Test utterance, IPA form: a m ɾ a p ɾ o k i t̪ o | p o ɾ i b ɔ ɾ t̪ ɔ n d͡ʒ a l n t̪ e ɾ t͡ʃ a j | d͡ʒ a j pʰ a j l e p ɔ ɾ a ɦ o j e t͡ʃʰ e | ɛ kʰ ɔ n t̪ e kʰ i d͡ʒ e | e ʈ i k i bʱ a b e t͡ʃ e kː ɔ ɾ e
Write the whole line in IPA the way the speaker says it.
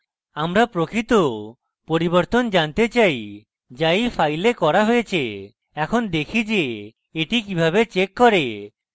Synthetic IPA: a m ɾ a p ɾ o k i t̪ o | p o ɾ i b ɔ ɾ t̪ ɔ n d͡ʒ a n t̪ e t͡ʃ a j | d͡ʒ a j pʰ a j l e k ɔ ɾ a ɦ o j e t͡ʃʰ e | ɛ kʰ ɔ n d̪ e kʰ i d͡ʒ e | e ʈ i k i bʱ a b e t͡ʃ e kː ɔ ɾ e